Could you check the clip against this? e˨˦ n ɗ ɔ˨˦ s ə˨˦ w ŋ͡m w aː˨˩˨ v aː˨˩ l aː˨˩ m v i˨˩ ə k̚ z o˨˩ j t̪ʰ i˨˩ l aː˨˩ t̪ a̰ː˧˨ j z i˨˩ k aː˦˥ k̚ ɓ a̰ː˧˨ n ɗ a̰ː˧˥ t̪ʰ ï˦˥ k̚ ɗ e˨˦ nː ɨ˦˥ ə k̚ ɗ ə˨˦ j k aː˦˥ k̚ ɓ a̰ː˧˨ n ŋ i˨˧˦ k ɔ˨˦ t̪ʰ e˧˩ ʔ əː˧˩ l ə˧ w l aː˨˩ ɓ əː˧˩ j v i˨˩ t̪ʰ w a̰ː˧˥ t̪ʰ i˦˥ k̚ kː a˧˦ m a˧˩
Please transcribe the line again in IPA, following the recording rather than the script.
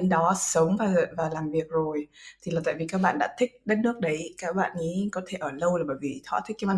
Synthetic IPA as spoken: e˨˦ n ɗ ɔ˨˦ s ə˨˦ w ŋ͡m v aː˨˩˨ v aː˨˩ l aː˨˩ m v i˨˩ ə k̚ z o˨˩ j t̪ʰ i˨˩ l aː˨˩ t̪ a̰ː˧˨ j v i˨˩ k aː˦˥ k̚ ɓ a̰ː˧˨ n ɗ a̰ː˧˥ t̪ʰ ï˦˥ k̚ ɗ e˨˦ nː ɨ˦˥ ə k̚ ɗ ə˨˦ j k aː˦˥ k̚ ɓ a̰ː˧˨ n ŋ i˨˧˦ k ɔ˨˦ t̪ʰ e˧˩ ʔ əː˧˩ l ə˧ w l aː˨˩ ɓ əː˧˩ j v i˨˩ t̪ʰ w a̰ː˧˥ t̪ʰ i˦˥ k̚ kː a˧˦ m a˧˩

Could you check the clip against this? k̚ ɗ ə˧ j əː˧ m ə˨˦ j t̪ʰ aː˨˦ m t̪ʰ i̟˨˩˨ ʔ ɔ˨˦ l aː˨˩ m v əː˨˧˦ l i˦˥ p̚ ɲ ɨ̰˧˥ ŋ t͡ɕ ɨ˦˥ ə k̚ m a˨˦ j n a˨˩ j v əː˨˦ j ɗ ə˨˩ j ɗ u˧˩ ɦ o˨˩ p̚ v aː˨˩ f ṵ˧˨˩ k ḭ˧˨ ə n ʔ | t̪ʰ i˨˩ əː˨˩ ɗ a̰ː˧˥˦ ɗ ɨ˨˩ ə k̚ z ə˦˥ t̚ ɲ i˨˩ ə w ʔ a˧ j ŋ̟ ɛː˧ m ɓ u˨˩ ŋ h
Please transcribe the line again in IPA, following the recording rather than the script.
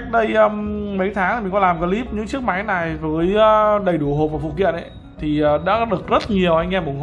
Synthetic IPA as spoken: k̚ ɗ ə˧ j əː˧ m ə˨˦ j t̪ʰ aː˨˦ ŋ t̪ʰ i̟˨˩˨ k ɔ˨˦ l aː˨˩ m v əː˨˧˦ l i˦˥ p̚ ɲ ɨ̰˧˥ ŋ t͡ɕ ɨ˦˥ ə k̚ m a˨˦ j n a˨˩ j v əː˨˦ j ɗ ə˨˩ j ɗ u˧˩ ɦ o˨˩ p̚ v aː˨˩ f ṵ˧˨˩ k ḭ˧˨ ə n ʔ | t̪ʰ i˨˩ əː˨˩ ɗ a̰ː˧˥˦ ɗ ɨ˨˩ ə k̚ z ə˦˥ t̚ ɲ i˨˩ ə w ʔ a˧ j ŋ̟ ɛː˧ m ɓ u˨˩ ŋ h

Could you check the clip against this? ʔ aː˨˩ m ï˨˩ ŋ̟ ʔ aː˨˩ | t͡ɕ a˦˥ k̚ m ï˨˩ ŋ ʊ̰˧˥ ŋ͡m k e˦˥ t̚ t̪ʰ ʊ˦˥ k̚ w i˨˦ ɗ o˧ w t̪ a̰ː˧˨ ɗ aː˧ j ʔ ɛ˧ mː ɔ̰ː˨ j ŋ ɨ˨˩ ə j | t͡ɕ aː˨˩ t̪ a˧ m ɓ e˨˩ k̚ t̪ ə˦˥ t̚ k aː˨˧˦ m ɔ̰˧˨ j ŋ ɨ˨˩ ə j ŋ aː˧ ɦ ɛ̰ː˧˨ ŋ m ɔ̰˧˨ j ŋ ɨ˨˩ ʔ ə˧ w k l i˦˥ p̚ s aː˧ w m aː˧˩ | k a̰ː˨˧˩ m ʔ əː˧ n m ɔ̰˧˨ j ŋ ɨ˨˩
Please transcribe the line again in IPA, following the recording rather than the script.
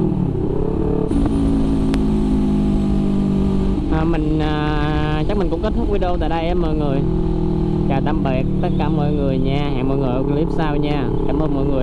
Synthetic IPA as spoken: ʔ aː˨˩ m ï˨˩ ŋ̟ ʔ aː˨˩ | t͡ɕ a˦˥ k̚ m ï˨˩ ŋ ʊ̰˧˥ ŋ͡m k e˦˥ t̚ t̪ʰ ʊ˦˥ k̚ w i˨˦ ɗ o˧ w t̪ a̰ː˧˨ ɗ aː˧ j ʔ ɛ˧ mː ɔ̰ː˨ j ŋ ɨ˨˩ ə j | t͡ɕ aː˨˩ t̪ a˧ m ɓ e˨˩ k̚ t̪ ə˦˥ t̚ k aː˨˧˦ m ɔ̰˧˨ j ŋ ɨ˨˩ ə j ɲ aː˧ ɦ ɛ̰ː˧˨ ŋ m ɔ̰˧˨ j ŋ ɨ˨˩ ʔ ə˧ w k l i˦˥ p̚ s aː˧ w ɲ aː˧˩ | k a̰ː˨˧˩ m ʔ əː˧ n m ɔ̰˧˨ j ŋ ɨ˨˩

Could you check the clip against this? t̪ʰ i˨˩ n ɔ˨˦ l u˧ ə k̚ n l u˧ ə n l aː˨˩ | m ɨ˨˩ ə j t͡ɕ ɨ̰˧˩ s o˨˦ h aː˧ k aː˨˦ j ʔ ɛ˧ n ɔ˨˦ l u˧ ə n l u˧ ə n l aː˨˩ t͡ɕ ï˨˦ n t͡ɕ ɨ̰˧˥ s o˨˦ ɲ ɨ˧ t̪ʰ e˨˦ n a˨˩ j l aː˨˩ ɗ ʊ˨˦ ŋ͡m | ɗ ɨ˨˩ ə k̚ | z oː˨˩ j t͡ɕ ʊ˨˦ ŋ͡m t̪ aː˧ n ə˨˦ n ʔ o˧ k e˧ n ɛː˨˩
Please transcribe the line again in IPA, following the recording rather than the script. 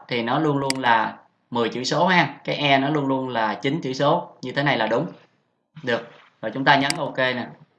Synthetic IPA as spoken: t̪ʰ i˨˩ n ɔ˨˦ l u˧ ə n l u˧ ə n l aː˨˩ | m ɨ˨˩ ə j t͡ɕ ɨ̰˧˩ s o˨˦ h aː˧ k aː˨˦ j ʔ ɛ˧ n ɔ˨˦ l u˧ ə n l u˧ ə n l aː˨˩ t͡ɕ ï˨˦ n t͡ɕ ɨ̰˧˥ s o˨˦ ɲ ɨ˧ t̪ʰ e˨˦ n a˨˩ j l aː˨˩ ɗ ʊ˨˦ ŋ͡m | ɗ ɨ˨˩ ə k̚ | z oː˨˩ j t͡ɕ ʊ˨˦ ŋ͡m t̪ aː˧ ɲ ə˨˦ n ʔ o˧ k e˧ n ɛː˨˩

